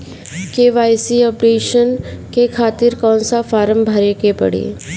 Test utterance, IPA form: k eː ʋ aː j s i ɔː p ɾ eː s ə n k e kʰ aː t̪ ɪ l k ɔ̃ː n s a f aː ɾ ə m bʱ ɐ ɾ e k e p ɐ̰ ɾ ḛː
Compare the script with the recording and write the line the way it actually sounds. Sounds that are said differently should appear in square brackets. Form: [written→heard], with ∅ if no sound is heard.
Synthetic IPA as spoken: k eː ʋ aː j s i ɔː p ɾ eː [s→ʃ] ə n k e kʰ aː t̪ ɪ [l→ɾ] k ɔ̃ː n s a f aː ɾ ə m bʱ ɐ ɾ e k e p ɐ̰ [ɾ→ɽ] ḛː